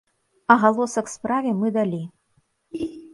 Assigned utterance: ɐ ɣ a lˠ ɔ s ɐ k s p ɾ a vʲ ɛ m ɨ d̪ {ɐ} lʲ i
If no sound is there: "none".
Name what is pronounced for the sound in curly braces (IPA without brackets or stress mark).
a